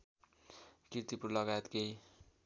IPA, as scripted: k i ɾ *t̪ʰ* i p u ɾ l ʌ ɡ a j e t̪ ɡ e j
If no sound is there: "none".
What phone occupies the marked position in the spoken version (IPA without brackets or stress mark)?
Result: t̪